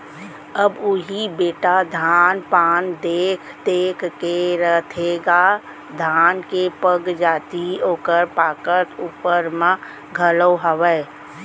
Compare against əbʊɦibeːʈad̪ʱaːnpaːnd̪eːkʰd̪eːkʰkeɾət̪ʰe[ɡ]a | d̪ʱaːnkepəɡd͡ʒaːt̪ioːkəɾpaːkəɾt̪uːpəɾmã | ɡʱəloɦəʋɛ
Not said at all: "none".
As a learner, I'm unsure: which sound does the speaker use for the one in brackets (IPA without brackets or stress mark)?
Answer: ɡ